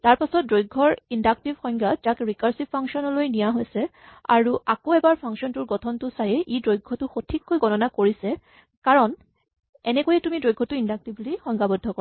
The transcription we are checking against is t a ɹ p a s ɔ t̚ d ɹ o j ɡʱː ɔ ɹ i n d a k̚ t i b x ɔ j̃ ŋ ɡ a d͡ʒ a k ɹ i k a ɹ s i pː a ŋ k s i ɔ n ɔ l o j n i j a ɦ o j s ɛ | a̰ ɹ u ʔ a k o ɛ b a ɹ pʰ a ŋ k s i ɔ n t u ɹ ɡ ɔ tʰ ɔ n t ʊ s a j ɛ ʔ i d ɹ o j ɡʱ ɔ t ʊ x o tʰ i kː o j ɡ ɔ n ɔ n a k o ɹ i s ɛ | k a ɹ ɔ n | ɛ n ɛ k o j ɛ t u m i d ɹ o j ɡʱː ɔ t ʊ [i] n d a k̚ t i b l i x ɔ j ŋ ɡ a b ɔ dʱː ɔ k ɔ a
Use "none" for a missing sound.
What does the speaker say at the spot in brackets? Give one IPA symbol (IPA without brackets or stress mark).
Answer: i